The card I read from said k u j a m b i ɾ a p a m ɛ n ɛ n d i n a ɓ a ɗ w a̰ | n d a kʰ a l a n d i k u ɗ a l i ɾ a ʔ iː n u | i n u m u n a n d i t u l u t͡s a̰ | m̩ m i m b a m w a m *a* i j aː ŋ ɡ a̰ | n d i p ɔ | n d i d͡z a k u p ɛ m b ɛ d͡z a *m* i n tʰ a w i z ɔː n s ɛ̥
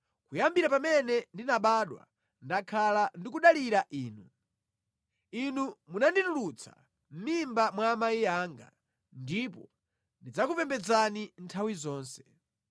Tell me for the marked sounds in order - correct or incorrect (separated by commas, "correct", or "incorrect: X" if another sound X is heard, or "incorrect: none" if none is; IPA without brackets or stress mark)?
correct, incorrect: n